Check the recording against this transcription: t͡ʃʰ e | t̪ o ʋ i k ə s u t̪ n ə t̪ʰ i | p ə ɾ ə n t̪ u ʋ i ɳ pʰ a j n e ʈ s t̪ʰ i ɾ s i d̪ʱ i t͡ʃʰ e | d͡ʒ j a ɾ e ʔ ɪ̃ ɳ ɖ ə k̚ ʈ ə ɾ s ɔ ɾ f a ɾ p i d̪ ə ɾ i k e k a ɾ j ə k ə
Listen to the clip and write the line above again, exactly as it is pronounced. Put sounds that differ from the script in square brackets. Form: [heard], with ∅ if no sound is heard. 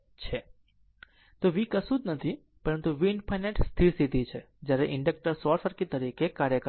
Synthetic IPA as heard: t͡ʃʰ e | t̪ o ʋ i k ə s u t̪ n ə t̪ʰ i | p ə ɾ ə n t̪ u ʋ i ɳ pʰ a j n e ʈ s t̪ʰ i ɾ s i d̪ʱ i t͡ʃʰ e | d͡ʒ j a ɾ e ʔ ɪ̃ ɳ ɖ ə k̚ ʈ ə ɾ s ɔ ɾ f [ə] ɾ [k] i [t̪] ə ɾ i k e k a ɾ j ə k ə